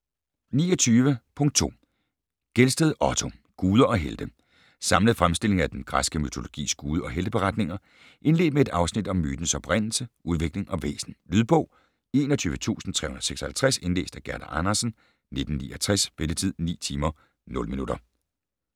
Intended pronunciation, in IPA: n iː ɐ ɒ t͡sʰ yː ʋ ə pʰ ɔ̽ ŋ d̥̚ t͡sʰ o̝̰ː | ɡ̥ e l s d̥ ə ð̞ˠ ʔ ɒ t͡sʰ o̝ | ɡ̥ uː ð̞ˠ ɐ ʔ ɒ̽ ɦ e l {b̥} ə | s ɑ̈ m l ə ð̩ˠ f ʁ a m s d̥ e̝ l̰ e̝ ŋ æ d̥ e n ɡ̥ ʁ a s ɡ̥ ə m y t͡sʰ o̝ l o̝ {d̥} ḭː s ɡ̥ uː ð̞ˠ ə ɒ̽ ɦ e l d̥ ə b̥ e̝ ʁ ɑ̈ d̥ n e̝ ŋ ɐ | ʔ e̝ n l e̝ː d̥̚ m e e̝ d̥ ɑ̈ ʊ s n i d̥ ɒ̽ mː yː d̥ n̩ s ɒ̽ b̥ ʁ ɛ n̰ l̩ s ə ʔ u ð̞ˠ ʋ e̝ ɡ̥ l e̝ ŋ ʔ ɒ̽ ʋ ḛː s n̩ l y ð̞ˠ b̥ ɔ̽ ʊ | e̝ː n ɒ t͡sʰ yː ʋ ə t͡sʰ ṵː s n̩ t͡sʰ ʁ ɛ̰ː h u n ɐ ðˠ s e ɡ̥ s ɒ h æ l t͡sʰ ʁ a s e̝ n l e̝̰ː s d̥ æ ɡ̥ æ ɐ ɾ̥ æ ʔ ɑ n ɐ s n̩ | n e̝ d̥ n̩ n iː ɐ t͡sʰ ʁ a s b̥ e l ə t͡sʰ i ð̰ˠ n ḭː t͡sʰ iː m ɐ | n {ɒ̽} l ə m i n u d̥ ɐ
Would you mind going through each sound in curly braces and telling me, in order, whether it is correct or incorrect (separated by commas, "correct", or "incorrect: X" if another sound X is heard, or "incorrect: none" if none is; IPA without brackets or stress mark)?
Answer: incorrect: d̥, incorrect: ɡ̥, incorrect: ɔ̽